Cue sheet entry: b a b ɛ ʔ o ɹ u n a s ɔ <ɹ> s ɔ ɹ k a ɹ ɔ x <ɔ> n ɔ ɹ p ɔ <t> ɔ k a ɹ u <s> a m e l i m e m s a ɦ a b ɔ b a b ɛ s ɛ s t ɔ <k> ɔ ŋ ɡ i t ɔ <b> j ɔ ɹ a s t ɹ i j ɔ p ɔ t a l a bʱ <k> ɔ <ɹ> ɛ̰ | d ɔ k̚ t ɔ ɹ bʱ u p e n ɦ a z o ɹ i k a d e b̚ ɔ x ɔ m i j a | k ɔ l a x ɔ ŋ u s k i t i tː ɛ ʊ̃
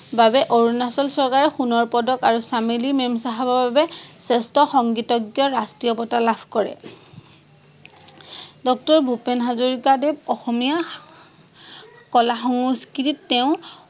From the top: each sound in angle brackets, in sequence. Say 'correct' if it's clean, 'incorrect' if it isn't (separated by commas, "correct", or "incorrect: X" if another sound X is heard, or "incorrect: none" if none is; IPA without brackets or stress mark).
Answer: incorrect: l, incorrect: u, incorrect: d, correct, incorrect: x, incorrect: ɡ, correct, correct